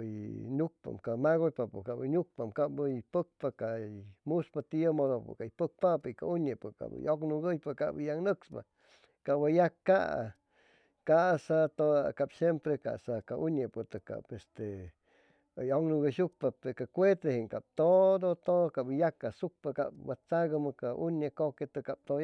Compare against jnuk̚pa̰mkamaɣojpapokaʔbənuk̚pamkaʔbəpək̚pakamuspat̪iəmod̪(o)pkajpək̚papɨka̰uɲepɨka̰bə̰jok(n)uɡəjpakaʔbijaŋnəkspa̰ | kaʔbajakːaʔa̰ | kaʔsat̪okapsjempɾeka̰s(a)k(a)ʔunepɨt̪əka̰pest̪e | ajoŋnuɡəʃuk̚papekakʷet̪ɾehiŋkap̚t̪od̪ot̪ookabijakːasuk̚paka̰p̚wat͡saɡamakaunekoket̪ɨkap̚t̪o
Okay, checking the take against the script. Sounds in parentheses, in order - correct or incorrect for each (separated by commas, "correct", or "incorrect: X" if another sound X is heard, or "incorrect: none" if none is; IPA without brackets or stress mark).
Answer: correct, correct, correct, correct